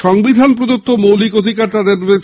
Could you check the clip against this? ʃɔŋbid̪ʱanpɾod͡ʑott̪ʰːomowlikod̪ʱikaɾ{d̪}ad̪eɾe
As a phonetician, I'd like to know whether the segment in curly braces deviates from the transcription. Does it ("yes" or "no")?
yes